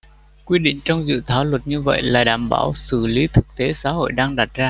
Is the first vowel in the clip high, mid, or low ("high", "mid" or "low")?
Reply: high